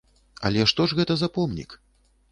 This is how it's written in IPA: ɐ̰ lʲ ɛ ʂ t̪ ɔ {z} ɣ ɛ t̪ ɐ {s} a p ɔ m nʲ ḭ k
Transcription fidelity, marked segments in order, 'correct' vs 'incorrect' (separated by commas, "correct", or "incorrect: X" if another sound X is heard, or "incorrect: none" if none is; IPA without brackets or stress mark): incorrect: ʐ, incorrect: z